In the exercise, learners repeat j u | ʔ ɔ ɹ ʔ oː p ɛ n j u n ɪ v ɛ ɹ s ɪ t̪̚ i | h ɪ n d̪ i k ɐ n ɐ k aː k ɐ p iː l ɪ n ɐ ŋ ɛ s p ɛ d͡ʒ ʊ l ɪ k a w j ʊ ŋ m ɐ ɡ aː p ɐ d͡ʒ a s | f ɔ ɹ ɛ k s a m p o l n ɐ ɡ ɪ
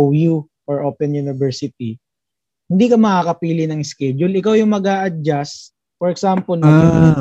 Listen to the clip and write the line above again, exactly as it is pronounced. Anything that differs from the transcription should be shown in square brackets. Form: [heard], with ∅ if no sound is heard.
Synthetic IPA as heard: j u | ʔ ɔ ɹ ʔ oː p ɛ n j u n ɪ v ɛ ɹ s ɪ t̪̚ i | h ɪ n d̪ i k ɐ [m] ɐ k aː k ɐ p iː l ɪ n ɐ ŋ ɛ s [k] ɛ d͡ʒ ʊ l ɪ k a w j ʊ ŋ m ɐ ɡ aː [ʔ] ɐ d͡ʒ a s | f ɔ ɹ ɛ k s a m p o l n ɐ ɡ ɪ